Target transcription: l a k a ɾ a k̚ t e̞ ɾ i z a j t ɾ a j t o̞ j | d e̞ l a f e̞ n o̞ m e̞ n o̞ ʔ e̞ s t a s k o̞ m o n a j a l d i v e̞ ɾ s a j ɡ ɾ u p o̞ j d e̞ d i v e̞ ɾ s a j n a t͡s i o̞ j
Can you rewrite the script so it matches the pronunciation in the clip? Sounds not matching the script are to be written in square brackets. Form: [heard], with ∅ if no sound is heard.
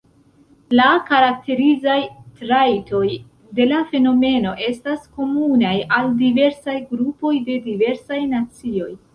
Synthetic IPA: l a k a ɾ a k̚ t e̞ ɾ i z a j t ɾ a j t o̞ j | d e̞ l a f e̞ n o̞ m e̞ n o̞ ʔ e̞ s t a s k o̞ m [u] n a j a l d i v e̞ ɾ s a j ɡ ɾ u p o̞ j d e̞ d i v e̞ ɾ s a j n a t͡s i o̞ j